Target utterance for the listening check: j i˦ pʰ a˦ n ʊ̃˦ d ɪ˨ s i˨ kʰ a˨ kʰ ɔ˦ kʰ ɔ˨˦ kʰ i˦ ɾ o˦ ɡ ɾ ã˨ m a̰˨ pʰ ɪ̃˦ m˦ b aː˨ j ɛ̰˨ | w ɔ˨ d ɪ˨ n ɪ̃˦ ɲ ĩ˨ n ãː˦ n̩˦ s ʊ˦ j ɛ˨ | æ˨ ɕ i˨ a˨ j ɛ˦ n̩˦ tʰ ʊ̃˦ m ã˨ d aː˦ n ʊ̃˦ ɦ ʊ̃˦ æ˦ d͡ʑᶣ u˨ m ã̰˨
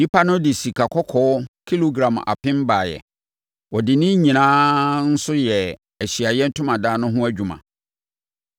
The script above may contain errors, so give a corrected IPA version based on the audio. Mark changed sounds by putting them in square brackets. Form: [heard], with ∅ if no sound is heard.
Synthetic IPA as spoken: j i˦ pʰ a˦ n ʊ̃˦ d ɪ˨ s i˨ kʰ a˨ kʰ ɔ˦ kʰ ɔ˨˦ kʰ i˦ [l] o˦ ɡ ɾ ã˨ m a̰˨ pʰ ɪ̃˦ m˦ b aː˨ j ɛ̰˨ | w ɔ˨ d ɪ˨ n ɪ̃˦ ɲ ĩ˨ n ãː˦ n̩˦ s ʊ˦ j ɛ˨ | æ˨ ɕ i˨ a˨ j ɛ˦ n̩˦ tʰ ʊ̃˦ m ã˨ d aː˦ n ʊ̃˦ ɦ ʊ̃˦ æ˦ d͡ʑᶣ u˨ m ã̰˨